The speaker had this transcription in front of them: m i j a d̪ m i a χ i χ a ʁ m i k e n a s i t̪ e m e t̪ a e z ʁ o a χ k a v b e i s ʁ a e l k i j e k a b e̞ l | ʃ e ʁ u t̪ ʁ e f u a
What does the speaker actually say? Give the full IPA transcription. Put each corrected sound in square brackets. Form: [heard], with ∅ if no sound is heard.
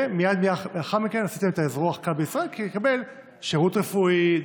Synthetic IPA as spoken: m i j a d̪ m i a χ [a] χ a ʁ m i k e n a s i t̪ e m e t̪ a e z ʁ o a χ k a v b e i s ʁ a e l k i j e k a b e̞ l | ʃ e ʁ u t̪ ʁ e f u [i]